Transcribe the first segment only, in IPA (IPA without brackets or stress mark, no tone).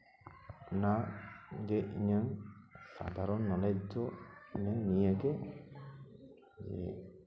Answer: n